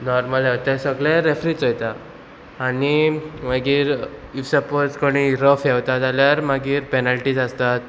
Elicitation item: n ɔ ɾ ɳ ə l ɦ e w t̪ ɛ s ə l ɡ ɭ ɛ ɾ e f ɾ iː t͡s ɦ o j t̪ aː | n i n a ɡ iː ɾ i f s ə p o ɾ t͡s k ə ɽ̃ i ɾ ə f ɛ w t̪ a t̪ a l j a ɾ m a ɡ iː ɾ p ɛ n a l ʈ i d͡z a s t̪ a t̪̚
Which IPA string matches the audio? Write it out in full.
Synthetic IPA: n ɔ ɾ m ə l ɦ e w t̪ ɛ s ə ɡ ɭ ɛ ɾ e f ɾ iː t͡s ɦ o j t̪ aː | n i m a ɡ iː ɾ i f s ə p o ɾ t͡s k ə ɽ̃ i ɾ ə f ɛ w t̪ a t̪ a l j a ɾ m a ɡ iː ɾ p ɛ n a l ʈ i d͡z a s t̪ a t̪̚